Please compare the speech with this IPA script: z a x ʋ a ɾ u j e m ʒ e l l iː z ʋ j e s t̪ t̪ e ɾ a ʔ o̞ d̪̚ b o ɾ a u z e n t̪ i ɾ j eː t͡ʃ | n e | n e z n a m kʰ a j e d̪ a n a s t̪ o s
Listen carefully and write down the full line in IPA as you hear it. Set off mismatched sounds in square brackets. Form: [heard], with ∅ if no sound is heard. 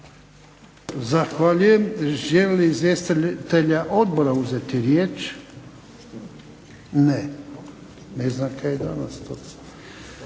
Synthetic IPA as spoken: z a x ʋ a [ʎ] u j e m ʒ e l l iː z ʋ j e s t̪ t̪ e [ʎ] a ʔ o̞ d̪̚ b o ɾ a u z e [∅] t̪ i ɾ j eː t͡ʃ | n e | n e z n a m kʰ a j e d̪ a n a s t̪ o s